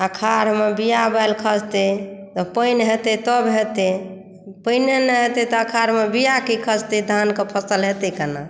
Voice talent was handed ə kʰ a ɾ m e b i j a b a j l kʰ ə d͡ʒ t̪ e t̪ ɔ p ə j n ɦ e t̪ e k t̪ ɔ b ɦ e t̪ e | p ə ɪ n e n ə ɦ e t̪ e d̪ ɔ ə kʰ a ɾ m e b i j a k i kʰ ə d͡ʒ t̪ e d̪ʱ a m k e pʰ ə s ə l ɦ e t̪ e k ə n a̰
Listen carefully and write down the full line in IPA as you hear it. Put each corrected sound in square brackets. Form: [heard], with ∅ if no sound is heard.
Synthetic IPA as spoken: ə kʰ a ɾ m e b i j a b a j l kʰ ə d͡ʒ t̪ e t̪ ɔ p ə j n ɦ e t̪ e [∅] t̪ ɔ b ɦ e t̪ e | p ə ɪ n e n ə ɦ e t̪ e [t̪] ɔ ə kʰ a ɾ m e b i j a k i kʰ ə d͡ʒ t̪ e d̪ʱ a [n] k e pʰ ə s ə l ɦ e t̪ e k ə n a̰